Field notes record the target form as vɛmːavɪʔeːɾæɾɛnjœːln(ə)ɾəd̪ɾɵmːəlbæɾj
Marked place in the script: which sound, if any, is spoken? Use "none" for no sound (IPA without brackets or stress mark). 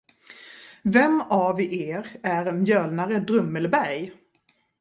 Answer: a